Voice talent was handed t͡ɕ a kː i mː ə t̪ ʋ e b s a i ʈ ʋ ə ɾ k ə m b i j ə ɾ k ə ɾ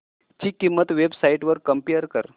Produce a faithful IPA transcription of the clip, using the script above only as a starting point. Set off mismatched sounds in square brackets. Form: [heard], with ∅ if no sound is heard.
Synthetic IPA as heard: t͡ɕ [i] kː i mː ə t̪ ʋ e b s a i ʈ ʋ ə ɾ k ə m [p] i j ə ɾ k ə ɾ